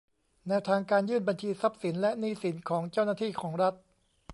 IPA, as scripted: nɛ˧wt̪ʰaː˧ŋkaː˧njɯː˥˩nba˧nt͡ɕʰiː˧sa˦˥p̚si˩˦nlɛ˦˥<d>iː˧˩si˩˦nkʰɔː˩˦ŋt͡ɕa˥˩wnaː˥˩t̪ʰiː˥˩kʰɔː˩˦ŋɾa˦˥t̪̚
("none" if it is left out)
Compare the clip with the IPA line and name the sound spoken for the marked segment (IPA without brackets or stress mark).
n